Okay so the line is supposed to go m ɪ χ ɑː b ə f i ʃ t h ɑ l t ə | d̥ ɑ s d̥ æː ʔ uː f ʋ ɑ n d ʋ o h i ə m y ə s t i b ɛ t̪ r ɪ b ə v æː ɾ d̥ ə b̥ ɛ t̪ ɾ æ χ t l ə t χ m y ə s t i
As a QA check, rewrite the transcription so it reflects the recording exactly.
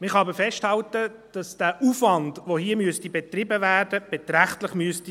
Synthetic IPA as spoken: m ɪ χ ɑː b ə f ɛ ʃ t h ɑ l t ə | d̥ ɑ s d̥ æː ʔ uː f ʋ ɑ n d ʋ o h i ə m y ə s t i b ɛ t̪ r ɪ b ə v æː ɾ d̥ ə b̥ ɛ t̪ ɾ æ χ t l ə χ m y ə s t i